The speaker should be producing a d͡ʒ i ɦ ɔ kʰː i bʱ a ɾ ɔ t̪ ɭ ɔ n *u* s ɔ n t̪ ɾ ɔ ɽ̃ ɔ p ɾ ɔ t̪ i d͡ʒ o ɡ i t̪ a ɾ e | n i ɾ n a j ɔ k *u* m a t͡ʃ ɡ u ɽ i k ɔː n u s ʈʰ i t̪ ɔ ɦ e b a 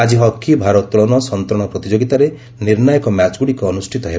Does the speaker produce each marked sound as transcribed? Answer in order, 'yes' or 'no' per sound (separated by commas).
no, no